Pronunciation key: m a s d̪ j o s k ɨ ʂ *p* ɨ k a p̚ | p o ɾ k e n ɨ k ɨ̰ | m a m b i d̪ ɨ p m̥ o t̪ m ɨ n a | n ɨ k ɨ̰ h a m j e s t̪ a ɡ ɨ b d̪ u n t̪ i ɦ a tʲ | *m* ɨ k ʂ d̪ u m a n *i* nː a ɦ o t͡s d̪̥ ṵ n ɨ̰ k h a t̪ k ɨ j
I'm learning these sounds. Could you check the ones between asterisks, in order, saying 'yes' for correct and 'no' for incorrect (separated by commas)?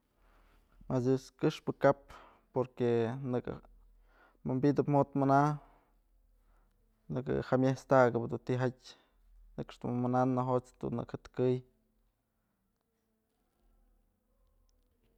yes, no, no